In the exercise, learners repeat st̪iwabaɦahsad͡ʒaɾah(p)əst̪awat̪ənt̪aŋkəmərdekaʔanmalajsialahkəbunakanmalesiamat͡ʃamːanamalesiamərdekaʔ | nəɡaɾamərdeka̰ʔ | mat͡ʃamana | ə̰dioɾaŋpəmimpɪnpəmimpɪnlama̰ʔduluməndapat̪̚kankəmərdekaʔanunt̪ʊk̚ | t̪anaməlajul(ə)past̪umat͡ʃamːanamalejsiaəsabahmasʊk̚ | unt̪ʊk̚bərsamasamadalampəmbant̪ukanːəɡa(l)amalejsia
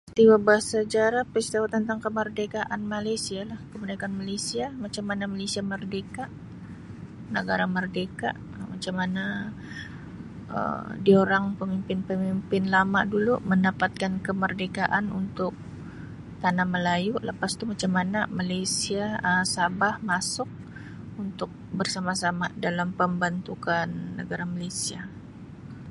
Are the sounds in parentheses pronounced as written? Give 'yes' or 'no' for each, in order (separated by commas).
yes, yes, no